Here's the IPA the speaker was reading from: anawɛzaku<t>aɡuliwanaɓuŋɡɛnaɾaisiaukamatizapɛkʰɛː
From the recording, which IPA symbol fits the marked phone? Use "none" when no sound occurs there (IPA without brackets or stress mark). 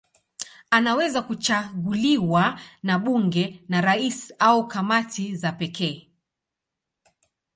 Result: t͡ʃ